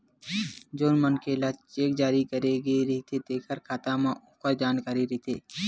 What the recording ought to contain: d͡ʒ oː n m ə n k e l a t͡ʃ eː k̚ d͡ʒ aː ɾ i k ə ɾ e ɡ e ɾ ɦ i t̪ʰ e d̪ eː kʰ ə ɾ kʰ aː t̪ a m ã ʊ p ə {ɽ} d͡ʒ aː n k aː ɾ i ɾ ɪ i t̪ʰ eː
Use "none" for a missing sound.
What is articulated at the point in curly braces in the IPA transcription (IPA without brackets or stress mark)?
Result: ɾ